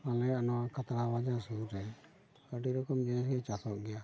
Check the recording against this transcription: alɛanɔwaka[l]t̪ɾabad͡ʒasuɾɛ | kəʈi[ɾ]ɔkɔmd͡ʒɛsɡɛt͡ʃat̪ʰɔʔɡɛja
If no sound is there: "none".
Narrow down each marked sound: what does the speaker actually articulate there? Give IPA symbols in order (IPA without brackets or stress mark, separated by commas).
none, ɾ